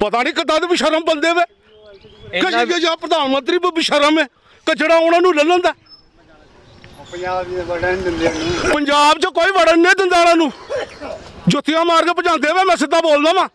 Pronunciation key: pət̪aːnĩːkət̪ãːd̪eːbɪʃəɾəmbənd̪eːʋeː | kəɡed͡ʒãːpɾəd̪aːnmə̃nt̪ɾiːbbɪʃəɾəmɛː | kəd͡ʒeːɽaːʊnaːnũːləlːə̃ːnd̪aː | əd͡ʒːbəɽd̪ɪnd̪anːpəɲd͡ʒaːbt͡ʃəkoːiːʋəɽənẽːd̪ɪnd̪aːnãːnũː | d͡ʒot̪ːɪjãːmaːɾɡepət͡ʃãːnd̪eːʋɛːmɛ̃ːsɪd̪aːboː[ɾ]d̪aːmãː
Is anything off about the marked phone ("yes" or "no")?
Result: yes